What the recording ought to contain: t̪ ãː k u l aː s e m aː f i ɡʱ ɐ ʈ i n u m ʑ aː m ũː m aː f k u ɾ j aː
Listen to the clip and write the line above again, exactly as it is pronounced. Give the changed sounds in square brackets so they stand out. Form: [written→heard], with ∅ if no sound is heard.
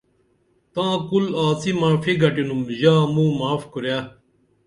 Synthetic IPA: t̪ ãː k u l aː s [e→i] m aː f i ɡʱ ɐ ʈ i n u m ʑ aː m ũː m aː f k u ɾ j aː